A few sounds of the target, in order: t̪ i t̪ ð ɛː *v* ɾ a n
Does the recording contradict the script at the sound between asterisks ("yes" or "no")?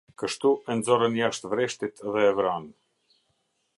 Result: no